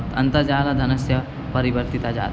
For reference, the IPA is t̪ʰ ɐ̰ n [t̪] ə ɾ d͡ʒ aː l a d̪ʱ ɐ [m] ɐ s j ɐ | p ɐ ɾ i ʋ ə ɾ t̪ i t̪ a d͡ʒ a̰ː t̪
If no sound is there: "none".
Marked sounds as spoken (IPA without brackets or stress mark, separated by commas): t̪, n